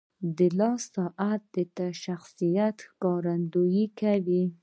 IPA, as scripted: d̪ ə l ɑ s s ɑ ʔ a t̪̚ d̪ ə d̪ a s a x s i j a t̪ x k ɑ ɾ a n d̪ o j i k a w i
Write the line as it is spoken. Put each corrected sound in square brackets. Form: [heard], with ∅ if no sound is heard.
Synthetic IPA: d̪ ə l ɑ s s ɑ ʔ a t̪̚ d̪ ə [t̪] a [ʃ] a x s i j a t̪ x k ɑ ɾ a n d̪ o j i k a w i